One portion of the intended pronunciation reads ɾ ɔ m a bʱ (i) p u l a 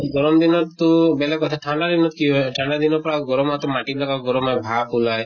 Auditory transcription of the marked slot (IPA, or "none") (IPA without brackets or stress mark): a